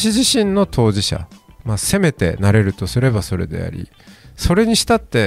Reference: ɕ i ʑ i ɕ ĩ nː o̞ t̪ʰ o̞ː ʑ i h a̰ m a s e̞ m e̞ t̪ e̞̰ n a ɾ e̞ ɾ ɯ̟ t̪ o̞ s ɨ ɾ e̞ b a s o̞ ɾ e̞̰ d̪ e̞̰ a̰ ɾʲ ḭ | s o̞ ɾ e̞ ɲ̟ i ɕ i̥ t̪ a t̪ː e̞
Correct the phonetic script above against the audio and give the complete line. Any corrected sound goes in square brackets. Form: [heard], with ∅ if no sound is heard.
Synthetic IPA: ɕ i ʑ i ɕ ĩ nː o̞ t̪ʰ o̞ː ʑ i [ɕ] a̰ m a s e̞ m e̞ t̪ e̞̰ n a ɾ e̞ ɾ ɯ̟ t̪ o̞ s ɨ ɾ e̞ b a s o̞ ɾ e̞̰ d̪ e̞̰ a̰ ɾʲ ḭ | s o̞ ɾ e̞ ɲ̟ i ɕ i̥ t̪ a t̪ː e̞